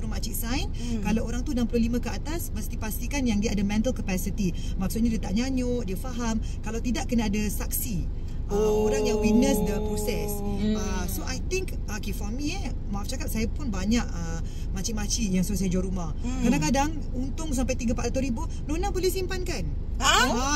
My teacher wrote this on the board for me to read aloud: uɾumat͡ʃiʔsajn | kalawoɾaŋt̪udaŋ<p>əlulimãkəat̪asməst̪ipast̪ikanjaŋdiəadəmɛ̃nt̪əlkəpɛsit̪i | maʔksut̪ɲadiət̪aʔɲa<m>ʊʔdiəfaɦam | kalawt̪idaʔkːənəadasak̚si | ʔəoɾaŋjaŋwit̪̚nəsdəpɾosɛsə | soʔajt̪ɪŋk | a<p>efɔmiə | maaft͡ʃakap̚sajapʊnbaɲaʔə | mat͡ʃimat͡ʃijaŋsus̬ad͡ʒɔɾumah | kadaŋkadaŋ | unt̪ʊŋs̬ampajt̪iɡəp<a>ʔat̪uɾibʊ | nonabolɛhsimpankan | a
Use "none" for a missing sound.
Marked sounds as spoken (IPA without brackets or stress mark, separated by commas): p, ɲ, k, a